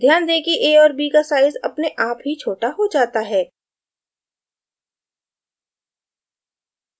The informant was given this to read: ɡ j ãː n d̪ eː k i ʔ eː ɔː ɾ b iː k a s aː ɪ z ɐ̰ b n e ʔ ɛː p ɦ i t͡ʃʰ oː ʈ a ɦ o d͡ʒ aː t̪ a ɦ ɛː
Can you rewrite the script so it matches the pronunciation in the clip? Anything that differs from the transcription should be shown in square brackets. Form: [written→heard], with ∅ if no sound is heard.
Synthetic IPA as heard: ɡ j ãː n d̪ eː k i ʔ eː ɔː ɾ b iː k a s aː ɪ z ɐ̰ [b→p] n e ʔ [ɛː→aː] p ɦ i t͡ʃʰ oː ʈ a ɦ o d͡ʒ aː t̪ a ɦ ɛː